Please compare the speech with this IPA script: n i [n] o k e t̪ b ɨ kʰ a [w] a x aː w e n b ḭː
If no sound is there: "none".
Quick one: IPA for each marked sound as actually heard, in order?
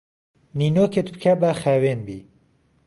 n, b

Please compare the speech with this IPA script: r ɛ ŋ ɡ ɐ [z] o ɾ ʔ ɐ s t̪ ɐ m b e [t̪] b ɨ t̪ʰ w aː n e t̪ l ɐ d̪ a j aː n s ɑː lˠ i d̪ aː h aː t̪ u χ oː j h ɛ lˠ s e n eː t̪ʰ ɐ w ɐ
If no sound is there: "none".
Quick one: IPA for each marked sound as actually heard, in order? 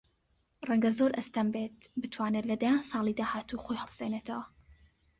z, t̪

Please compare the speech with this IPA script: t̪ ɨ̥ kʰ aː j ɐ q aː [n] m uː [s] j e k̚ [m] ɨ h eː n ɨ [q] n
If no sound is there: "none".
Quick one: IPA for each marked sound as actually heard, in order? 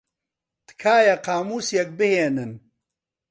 none, s, b, none

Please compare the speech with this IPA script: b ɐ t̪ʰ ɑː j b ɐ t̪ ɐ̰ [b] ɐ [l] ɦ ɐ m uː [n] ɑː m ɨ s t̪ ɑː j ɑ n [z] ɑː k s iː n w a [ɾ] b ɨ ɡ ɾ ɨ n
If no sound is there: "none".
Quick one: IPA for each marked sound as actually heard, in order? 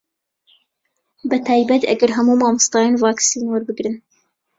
ɡ, ɾ, m, v, ɾ

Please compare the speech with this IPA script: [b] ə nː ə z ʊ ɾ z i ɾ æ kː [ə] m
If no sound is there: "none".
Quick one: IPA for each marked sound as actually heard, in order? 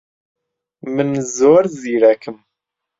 m, ə

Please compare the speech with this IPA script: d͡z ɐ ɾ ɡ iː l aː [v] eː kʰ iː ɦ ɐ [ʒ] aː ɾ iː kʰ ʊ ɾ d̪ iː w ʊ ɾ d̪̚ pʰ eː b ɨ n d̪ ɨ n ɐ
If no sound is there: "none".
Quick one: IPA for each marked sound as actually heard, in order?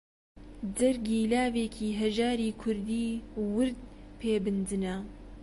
v, ʒ

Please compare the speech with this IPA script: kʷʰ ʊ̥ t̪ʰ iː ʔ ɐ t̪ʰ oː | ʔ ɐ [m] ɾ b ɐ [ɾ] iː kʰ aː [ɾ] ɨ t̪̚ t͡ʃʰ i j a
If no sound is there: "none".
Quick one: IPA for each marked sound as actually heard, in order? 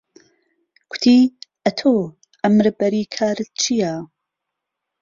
m, ɾ, ɾ

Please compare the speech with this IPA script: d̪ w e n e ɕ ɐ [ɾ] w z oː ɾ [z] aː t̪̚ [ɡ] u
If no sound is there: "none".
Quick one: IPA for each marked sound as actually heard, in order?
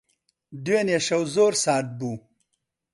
none, s, b

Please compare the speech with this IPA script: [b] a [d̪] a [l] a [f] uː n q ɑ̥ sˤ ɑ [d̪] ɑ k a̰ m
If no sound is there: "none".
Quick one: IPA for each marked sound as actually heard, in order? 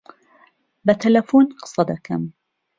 b, t̪, l, f, d̪

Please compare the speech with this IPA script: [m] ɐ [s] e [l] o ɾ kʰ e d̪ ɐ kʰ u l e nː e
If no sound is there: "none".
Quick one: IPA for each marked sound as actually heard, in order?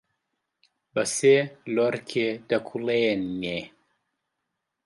b, s, l

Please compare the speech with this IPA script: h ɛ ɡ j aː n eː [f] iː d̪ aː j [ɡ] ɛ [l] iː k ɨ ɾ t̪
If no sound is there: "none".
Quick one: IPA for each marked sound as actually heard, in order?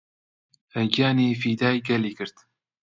f, ɡ, l

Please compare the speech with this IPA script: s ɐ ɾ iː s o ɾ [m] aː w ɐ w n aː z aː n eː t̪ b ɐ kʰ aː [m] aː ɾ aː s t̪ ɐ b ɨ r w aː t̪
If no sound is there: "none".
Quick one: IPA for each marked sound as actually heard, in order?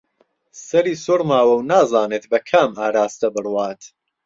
m, m

